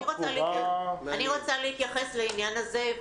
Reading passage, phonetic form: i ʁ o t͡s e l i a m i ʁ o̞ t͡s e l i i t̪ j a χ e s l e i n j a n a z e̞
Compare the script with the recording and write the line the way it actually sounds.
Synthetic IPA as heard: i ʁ o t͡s a l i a n i ʁ o̞ t͡s a l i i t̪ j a χ e s l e i n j a n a z e̞